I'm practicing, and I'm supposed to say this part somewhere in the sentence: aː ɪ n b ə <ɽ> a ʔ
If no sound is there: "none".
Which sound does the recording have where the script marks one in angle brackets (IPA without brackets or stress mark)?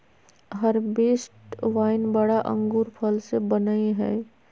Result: ɽ